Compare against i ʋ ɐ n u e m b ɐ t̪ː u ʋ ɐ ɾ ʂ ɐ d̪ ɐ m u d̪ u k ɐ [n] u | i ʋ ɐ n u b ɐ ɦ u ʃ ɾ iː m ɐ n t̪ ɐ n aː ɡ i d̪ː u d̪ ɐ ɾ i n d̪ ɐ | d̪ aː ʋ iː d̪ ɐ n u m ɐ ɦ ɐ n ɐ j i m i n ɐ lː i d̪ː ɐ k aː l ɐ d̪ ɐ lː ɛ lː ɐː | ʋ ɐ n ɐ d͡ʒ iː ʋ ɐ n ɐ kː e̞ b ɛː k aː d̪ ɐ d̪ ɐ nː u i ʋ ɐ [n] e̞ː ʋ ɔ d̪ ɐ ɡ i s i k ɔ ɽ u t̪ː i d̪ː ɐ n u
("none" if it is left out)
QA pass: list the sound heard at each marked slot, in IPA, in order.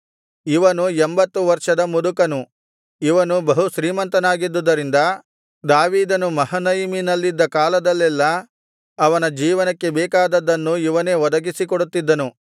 n, n

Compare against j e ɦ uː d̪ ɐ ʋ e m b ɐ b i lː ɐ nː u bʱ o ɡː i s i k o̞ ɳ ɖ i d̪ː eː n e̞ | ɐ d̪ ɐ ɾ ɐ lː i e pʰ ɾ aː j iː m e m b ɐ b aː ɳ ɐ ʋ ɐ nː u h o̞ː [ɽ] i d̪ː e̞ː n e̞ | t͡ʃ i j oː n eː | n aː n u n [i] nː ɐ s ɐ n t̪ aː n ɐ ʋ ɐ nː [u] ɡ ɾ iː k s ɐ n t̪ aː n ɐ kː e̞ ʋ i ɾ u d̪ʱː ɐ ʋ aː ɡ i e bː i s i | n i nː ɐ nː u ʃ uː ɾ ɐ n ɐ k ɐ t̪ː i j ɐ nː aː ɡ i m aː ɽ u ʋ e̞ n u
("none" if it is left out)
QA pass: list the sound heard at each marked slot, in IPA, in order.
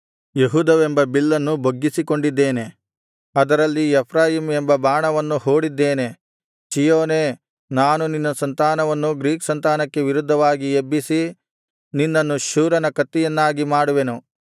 ɽ, i, u

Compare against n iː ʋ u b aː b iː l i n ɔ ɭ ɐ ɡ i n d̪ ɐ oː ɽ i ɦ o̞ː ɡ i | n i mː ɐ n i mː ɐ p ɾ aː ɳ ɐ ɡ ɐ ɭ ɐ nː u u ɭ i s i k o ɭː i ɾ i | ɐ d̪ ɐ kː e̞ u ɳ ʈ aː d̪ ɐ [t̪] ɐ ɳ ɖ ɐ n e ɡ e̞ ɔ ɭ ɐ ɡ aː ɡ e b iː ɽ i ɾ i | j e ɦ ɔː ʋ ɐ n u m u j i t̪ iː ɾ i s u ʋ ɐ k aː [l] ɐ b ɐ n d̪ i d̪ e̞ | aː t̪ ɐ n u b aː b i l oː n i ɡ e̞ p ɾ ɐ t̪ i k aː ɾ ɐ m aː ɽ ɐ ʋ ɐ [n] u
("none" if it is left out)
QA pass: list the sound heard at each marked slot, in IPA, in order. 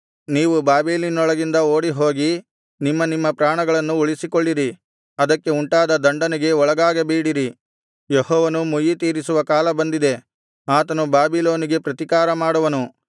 d̪, l, n

